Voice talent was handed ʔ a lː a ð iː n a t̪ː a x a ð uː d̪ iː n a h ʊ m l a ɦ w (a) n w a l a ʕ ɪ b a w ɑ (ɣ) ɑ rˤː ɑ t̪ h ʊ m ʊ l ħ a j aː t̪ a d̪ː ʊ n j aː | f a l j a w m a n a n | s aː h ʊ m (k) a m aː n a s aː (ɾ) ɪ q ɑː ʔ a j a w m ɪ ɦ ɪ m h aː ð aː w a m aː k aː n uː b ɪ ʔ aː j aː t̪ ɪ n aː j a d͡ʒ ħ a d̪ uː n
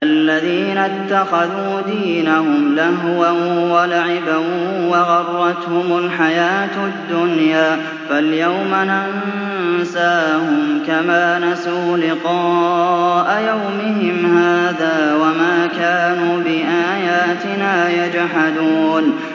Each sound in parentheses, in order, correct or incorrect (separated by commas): correct, correct, correct, incorrect